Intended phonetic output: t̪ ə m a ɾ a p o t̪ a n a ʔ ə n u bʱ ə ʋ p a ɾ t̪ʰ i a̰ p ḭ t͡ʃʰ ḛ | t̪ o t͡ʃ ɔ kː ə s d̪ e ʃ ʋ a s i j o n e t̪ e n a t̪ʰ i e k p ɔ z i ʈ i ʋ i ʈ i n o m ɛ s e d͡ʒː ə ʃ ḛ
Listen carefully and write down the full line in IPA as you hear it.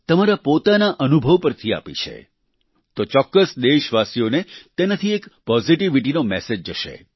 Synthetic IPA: t̪ ə m a ɾ a p o t̪ a n a ʔ ə n u bʱ ə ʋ p ə ɾ t̪ʰ i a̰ p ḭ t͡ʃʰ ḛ | t̪ o t͡ʃ ɔ kː ə s d̪ e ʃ ʋ a s i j o n e t̪ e n a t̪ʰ i e k p ɔ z i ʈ i ʋ i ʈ i n o m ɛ s e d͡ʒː ə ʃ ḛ